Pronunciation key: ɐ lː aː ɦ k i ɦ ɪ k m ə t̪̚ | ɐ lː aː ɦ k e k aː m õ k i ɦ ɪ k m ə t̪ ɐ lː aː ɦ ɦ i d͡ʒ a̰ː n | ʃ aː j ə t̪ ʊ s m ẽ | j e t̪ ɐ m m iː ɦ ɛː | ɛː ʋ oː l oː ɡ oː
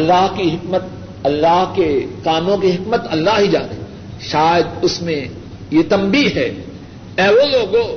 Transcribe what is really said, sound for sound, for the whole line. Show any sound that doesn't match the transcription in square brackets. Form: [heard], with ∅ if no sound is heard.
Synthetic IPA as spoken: ɐ lː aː ɦ k i ɦ ɪ k m ə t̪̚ | ɐ lː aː ɦ k e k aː m õ k i ɦ ɪ k m ə t̪ ɐ lː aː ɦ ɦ i d͡ʒ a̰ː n | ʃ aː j ə [d̪] ʊ s m ẽ | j e t̪ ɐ m [b] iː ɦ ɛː | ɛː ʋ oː l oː ɡ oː